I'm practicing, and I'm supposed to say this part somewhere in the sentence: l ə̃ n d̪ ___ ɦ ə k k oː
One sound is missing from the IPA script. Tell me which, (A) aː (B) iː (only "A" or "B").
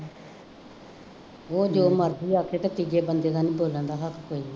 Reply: A